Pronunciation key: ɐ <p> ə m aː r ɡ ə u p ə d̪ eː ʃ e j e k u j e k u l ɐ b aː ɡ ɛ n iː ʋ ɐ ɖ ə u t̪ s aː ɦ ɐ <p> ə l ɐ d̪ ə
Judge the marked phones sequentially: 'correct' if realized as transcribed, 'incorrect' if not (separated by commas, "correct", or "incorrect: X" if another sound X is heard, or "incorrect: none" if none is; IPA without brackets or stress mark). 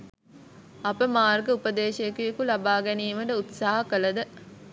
correct, incorrect: k